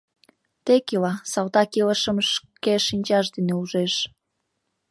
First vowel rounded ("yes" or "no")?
no